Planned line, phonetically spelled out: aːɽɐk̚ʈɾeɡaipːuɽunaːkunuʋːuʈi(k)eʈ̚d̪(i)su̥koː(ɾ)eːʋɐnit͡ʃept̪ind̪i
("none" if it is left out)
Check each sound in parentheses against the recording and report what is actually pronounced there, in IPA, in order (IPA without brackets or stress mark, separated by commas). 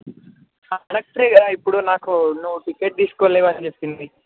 k, iː, l